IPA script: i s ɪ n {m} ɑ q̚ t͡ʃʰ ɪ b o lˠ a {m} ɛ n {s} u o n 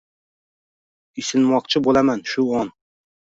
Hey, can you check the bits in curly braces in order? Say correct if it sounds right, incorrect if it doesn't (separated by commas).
correct, correct, incorrect